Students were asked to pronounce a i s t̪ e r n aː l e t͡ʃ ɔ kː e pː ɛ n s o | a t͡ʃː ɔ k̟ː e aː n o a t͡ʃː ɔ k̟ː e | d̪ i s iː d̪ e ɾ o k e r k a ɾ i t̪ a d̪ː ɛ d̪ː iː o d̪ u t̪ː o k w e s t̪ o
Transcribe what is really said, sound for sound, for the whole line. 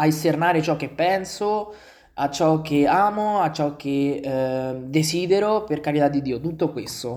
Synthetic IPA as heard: a i s t̪ e r n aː ɾ e t͡ʃ ɔ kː e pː ɛ n s o | a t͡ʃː ɔ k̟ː e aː m o a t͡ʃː ɔ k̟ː e | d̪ e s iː d̪ e ɾ o p e r k a ɾ i t̪ a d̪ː i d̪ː iː o t̪ u t̪ː o k w e s t̪ o